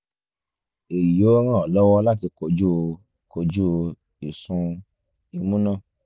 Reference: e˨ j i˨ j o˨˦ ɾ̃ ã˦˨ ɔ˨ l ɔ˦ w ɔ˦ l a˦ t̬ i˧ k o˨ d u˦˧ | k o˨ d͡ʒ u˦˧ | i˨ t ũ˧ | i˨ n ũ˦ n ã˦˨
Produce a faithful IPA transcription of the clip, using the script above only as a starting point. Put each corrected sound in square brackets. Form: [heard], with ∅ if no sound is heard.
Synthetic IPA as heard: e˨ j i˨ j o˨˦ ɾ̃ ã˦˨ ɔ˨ l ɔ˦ w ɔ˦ l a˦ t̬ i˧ k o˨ [d͡ʒ] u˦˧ | k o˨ d͡ʒ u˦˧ | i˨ [s] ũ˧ | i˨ [m] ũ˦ n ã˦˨